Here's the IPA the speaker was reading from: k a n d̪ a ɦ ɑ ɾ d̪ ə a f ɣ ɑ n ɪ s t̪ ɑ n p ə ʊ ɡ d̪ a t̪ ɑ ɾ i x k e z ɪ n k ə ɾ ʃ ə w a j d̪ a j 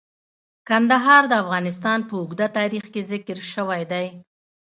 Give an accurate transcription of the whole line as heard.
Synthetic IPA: k a n d̪ a ɦ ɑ ɾ d̪ ə a f ɣ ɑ n ɪ s t̪ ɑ n p ə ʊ ɡ d̪ a t̪ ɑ ɾ i x k e z ɪ k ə ɾ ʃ ə w a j d̪ a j